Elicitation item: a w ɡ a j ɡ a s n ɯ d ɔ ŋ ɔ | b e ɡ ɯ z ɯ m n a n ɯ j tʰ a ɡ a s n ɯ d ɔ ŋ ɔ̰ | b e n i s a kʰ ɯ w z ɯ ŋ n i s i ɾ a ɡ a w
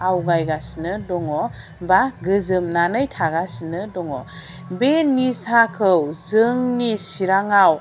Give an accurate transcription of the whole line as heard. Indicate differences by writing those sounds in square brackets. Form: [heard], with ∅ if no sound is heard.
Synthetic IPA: a w ɡ a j ɡ a s n ɯ d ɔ ŋ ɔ | b [a] ɡ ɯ z ɯ m n a n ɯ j tʰ a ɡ a s n ɯ d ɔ ŋ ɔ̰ | b e n i s a kʰ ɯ w z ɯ ŋ n i s i ɾ a [ŋ] a w